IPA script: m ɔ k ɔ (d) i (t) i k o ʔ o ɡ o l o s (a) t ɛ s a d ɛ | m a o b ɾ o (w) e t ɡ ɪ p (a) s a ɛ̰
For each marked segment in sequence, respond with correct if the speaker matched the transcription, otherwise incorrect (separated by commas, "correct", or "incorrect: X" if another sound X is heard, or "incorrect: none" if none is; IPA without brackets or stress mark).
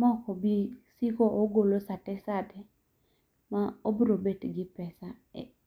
incorrect: b, incorrect: s, correct, incorrect: b, incorrect: ɛ